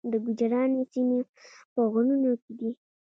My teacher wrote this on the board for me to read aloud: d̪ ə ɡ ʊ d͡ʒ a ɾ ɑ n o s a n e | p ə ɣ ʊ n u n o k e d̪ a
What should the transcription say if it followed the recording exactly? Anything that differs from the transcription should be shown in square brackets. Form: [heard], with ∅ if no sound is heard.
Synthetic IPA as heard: d̪ ə ɡ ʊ d͡ʒ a ɾ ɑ n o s [i] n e | p ə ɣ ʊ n u n o k e d̪ [i]